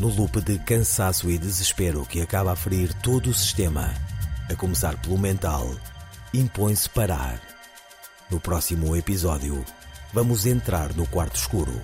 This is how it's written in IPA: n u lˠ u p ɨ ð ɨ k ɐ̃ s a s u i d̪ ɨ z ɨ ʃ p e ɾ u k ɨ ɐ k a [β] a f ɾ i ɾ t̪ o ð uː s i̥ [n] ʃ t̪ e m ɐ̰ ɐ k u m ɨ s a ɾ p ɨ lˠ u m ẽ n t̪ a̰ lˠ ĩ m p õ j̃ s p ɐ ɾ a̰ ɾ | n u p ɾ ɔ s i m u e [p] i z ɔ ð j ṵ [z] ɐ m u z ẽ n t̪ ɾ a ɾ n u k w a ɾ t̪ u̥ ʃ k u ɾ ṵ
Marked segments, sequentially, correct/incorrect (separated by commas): correct, incorrect, correct, incorrect